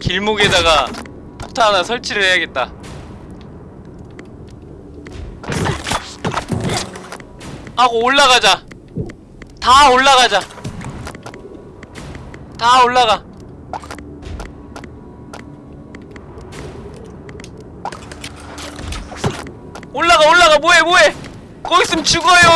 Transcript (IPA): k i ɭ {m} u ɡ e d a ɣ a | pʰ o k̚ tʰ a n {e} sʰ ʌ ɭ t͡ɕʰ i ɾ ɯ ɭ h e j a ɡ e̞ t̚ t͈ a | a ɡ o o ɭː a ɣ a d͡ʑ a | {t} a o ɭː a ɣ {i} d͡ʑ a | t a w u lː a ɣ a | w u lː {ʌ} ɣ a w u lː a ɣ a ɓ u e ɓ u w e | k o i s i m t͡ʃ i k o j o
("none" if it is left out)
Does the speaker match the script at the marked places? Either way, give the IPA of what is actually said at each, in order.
m, a, t, a, a

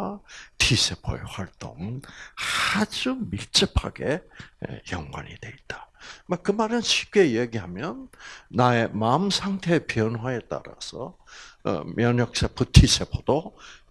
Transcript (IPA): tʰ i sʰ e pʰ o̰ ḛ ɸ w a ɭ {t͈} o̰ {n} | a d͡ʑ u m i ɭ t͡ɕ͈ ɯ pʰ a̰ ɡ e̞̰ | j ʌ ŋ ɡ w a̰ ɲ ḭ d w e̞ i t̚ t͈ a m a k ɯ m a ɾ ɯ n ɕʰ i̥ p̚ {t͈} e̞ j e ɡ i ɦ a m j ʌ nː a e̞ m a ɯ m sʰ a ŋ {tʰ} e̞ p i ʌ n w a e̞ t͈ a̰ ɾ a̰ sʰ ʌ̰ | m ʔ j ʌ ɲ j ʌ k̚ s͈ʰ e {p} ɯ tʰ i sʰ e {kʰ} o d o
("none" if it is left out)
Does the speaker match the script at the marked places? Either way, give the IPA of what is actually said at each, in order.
t͈, ŋ, k͈, tʰ, pʰ, pʰ

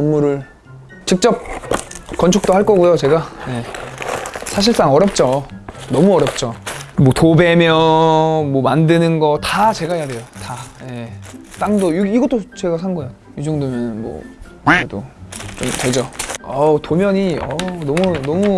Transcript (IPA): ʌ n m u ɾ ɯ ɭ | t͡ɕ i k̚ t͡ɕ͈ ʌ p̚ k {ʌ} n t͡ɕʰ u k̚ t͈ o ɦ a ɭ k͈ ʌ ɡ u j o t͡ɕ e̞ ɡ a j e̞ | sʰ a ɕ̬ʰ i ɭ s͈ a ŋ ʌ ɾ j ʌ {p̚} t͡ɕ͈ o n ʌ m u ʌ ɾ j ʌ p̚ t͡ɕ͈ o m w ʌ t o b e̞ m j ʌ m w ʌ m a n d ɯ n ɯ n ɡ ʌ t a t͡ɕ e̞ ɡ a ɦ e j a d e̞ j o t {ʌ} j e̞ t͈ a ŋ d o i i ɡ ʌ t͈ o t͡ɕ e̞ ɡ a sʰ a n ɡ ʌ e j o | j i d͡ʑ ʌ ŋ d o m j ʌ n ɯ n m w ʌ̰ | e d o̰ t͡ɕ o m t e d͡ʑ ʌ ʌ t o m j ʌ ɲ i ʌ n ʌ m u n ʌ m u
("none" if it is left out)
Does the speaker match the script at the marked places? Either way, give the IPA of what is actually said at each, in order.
ʌ, p̚, a

